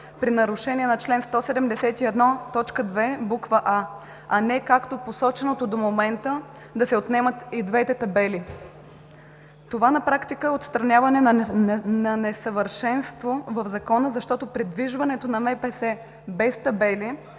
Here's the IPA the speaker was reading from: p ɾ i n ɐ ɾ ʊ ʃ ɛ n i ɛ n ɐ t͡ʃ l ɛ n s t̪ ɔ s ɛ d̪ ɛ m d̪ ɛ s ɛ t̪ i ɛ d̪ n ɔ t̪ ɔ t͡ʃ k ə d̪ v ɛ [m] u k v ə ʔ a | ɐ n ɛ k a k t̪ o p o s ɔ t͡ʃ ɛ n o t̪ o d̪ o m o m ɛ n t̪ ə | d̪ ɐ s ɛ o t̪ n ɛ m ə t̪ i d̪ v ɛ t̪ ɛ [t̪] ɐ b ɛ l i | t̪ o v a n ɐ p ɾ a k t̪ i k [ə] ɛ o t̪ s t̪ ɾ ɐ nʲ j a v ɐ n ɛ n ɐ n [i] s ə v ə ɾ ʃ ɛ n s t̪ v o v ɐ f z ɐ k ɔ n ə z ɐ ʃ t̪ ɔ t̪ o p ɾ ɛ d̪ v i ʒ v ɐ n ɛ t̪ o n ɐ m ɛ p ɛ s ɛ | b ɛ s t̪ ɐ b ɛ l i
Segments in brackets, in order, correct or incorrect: incorrect: b, correct, correct, incorrect: ɛ

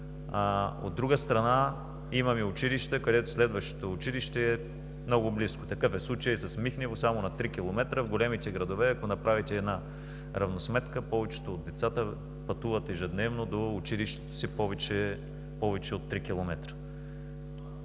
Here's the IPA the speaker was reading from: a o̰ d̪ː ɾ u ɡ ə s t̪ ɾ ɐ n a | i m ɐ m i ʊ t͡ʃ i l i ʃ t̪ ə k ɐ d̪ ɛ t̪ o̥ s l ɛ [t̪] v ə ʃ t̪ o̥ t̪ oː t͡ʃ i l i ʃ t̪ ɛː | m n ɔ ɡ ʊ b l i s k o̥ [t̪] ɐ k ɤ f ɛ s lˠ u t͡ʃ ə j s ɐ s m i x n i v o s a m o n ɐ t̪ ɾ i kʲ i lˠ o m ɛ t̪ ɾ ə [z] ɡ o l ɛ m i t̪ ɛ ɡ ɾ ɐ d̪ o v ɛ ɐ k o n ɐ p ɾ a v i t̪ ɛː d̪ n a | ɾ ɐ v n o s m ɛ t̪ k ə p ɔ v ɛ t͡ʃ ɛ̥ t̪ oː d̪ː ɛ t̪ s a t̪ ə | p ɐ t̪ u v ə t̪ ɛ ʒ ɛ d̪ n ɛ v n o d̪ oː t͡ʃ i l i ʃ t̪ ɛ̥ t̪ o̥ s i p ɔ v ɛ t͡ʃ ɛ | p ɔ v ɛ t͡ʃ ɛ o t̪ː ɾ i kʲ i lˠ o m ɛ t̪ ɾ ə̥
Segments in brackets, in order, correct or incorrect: incorrect: d̪, correct, incorrect: v

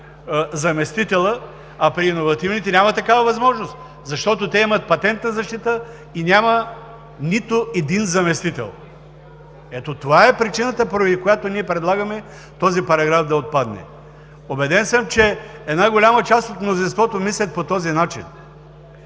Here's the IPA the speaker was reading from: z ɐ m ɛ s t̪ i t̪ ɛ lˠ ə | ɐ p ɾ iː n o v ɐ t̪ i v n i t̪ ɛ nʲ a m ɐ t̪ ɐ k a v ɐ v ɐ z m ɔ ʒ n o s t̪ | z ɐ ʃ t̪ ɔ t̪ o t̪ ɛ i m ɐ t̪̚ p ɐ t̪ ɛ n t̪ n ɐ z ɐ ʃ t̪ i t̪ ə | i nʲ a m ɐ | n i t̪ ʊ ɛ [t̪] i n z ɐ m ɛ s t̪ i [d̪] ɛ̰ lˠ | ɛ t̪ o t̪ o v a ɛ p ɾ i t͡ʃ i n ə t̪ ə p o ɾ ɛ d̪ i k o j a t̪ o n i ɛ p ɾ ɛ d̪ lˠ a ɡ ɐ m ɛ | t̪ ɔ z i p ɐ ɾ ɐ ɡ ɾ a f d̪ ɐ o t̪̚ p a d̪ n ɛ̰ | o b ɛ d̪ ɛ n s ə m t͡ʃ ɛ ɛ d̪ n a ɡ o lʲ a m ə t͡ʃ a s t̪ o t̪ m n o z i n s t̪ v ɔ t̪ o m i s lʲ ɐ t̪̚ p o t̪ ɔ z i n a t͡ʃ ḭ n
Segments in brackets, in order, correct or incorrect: incorrect: d̪, incorrect: t̪

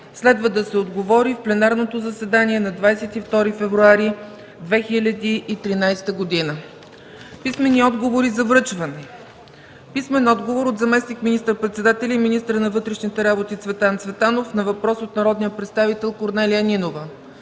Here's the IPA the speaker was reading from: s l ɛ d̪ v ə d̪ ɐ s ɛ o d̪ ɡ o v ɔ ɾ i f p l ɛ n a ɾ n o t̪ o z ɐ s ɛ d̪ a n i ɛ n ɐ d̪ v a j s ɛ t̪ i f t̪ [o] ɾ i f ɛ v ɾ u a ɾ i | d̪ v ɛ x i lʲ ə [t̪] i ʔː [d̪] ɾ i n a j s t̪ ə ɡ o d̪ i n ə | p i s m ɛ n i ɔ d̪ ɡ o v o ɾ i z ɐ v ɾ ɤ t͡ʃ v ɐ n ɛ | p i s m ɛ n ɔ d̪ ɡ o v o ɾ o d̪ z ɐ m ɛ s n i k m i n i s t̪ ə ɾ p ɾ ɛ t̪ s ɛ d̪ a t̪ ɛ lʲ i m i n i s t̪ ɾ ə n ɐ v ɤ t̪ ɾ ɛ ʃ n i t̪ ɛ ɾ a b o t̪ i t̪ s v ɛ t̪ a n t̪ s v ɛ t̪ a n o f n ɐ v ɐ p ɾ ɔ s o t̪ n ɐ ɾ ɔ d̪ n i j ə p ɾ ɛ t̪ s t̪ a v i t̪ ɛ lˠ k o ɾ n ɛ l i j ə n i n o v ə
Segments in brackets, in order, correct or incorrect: incorrect: ɔ, incorrect: d̪, incorrect: t̪

